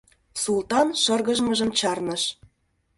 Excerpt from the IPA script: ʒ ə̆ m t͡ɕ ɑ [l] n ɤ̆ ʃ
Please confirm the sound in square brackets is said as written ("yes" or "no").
no